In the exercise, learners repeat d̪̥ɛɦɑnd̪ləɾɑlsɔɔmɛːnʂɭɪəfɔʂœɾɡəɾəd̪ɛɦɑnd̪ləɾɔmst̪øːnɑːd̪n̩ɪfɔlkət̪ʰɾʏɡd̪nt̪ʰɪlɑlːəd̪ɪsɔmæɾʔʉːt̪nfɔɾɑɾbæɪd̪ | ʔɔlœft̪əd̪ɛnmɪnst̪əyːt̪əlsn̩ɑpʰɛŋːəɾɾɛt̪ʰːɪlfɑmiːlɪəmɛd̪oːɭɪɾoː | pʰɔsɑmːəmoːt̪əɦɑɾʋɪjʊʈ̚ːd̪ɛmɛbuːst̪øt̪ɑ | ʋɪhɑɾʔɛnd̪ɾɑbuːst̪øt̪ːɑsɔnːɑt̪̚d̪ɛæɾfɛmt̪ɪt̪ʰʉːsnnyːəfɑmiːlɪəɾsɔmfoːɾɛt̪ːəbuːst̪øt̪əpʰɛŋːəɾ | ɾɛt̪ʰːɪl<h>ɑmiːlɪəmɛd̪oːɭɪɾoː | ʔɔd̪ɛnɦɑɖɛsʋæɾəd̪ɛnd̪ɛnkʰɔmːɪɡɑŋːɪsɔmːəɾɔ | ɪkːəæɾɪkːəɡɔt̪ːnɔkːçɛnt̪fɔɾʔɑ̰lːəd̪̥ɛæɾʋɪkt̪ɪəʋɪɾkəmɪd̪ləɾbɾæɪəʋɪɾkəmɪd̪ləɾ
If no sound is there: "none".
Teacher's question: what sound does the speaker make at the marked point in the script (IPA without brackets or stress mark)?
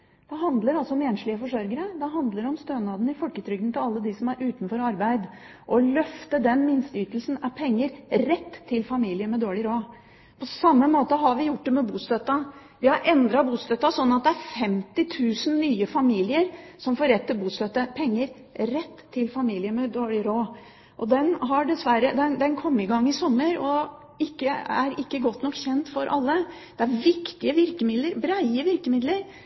f